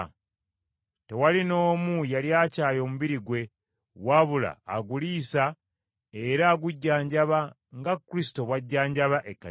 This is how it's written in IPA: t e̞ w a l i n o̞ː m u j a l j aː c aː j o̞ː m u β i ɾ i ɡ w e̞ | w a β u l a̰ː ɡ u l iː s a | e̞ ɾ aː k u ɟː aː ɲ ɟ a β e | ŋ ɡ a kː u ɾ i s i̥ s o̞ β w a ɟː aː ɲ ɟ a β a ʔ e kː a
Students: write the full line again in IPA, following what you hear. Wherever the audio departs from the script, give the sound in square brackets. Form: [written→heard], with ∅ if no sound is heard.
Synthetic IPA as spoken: t e̞ w a l i n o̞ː m u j a l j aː c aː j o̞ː m u β i ɾ i ɡ w e̞ | w a β u l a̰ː ɡ u l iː s a | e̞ ɾ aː [k→ɡ] u ɟː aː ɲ ɟ a β [e→a] | ŋ ɡ a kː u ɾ i s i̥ [s→t] o̞ β w a ɟː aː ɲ ɟ a β a ʔ e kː a